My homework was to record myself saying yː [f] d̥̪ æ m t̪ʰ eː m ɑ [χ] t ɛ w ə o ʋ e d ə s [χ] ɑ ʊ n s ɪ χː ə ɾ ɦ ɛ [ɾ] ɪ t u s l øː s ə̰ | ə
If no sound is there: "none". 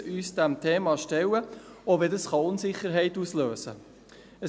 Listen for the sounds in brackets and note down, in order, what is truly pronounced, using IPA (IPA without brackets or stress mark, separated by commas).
s, ʃ, χ, none